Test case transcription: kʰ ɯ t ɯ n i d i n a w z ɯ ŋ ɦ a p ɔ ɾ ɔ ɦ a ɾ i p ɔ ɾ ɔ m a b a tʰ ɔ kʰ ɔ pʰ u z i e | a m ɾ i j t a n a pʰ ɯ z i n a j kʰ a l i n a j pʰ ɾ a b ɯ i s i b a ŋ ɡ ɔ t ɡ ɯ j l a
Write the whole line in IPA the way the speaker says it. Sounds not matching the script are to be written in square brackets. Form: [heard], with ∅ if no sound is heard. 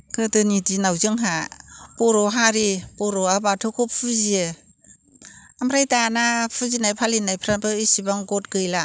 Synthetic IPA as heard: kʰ ɯ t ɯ n i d i n a w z ɯ ŋ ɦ a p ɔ ɾ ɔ ɦ a ɾ i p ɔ ɾ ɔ [∅] a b a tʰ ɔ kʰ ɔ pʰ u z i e | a m ɾ [a] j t a n a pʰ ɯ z i n a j [pʰ] a l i n a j pʰ ɾ a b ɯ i s i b a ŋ ɡ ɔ t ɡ ɯ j l a